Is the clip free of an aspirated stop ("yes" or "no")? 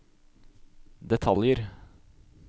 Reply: no